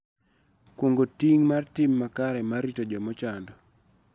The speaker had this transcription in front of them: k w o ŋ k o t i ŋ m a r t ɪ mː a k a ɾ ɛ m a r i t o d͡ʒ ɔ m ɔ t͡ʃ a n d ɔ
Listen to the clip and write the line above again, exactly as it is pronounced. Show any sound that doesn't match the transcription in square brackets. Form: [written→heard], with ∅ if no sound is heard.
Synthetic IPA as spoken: k w o ŋ [k→ɡ] o t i ŋ m a r t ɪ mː a k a ɾ ɛ m a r i t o d͡ʒ ɔ m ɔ t͡ʃ a n d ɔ